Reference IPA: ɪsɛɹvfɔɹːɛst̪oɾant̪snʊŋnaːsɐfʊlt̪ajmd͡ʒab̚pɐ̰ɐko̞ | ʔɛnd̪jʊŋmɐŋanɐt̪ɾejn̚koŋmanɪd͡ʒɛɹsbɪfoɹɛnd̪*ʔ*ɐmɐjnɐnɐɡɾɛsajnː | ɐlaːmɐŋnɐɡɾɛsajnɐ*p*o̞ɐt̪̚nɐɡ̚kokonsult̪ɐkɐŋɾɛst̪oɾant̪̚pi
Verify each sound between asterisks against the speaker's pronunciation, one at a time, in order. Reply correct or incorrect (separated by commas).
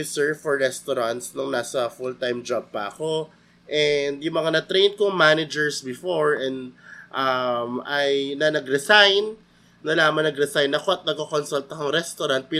correct, incorrect